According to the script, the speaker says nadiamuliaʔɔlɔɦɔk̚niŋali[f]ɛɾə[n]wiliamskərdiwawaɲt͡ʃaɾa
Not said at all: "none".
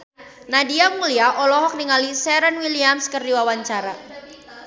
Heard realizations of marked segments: s, n

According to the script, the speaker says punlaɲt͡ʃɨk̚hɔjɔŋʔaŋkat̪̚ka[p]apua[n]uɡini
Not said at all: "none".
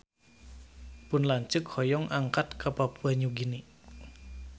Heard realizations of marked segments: p, ɲ

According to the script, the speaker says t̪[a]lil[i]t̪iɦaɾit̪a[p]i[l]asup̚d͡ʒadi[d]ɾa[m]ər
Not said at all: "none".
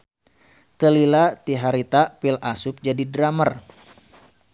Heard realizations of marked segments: ə, a, p, l, d, m

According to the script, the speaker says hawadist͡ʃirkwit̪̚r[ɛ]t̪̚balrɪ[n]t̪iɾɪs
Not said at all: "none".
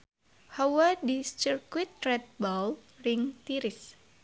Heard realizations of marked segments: ɛ, ŋ

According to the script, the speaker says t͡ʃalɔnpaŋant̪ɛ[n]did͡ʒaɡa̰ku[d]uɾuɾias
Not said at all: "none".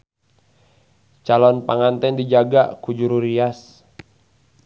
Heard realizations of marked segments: n, d͡ʒ

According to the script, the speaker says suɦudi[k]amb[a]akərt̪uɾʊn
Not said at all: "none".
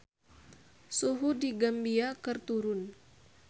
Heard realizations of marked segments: ɡ, i

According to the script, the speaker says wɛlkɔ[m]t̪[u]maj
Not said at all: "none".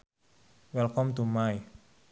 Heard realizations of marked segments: m, u

